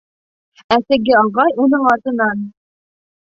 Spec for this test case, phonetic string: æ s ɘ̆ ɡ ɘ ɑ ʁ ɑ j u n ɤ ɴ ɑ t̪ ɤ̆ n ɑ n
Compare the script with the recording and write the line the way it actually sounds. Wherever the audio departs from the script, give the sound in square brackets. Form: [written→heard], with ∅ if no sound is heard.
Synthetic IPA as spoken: æ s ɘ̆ ɡ ɘ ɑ ʁ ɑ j u n ɤ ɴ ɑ t̪ ɤ̆ n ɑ n

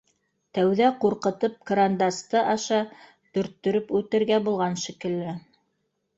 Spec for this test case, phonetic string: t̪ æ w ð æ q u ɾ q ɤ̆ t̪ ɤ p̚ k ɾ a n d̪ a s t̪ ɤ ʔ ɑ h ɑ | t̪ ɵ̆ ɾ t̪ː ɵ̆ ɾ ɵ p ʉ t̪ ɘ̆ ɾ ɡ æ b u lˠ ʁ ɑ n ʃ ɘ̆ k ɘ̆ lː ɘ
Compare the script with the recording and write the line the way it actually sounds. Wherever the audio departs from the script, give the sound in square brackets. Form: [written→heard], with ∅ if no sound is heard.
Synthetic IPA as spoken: t̪ æ w ð æ q u ɾ q ɤ̆ t̪ ɤ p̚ k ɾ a n d̪ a s t̪ ɤ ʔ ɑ [h→ʃ] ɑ | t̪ ɵ̆ ɾ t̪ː ɵ̆ ɾ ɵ p ʉ t̪ ɘ̆ ɾ ɡ æ b u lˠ ʁ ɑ n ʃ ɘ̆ k ɘ̆ lː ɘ

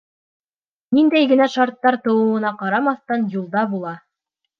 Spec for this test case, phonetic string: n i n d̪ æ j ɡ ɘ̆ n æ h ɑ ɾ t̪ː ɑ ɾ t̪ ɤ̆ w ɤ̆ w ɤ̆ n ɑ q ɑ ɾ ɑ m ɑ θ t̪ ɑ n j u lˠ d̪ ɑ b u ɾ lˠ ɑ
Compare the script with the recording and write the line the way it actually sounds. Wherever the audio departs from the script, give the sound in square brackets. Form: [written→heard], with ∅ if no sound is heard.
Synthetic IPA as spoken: n i n d̪ æ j ɡ ɘ̆ n æ [h→ʃ] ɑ ɾ t̪ː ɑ ɾ t̪ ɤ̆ w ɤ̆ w ɤ̆ n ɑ q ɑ ɾ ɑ m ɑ θ t̪ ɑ n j u lˠ d̪ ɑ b u [ɾ→∅] lˠ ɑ

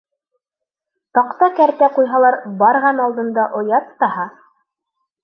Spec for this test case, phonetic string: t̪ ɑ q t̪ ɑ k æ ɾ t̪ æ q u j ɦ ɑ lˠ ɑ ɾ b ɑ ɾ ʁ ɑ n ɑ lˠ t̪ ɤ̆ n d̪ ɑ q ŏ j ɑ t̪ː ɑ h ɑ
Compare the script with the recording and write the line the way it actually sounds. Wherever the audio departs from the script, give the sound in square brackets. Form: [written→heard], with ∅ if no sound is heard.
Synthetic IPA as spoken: t̪ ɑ q t̪ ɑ k æ ɾ t̪ æ q u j ɦ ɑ lˠ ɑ ɾ b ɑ ɾ ʁ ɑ n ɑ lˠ [t̪→d̪] ɤ̆ n d̪ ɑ [q→ʔ] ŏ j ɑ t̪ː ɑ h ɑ

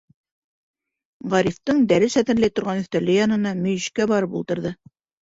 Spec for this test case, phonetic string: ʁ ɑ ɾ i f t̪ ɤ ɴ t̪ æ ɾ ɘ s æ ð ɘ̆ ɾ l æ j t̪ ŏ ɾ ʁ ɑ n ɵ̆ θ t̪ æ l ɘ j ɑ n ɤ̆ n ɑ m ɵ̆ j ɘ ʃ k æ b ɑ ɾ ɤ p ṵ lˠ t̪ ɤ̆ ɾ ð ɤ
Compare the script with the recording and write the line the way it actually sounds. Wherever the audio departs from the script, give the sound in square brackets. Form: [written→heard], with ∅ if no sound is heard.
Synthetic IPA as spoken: ʁ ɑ ɾ i f t̪ ɤ ɴ [t̪→d̪] æ ɾ ɘ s æ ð ɘ̆ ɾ l æ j t̪ ŏ ɾ ʁ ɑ n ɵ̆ θ t̪ æ l ɘ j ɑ n ɤ̆ n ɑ m ɵ̆ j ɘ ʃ k æ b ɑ ɾ ɤ p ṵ lˠ t̪ ɤ̆ ɾ ð ɤ

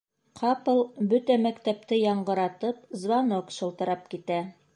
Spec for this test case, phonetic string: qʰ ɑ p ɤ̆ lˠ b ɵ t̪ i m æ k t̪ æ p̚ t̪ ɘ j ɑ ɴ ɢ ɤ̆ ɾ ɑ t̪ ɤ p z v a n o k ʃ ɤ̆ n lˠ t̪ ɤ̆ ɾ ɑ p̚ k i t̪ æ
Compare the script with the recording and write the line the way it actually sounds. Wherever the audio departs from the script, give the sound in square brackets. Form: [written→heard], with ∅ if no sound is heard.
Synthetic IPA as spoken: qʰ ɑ p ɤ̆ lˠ b ɵ t̪ [i→æ] m æ k t̪ æ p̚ t̪ ɘ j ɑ ɴ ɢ ɤ̆ ɾ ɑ t̪ ɤ p z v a n o k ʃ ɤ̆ [n→∅] lˠ t̪ ɤ̆ ɾ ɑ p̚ k i t̪ æ

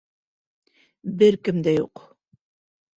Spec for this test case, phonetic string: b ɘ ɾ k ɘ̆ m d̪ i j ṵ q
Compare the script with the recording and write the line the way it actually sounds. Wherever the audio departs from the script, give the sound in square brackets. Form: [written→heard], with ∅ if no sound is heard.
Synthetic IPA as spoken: b ɘ ɾ k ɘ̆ m d̪ [i→æ] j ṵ q

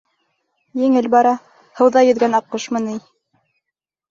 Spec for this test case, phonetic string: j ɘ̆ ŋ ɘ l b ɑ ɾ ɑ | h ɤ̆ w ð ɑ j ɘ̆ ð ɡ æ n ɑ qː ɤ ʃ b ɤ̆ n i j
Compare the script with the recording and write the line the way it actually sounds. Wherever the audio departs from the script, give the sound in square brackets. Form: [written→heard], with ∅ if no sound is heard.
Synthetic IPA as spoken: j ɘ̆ ŋ ɘ l b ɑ ɾ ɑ | h ɤ̆ w ð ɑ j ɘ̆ ð ɡ æ n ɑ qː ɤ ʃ [b→m] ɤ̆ n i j

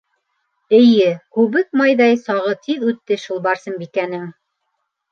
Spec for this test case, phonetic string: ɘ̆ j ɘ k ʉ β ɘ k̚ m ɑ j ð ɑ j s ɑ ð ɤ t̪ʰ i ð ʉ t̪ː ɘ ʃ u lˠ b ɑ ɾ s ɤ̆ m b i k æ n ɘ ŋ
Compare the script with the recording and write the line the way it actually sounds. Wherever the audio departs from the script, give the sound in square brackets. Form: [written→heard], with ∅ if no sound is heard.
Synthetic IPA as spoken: ɘ̆ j ɘ k ʉ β ɘ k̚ m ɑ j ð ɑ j s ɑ [ð→ʁ] ɤ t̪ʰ i ð ʉ t̪ː ɘ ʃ u lˠ b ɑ ɾ s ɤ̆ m b i k æ n ɘ ŋ

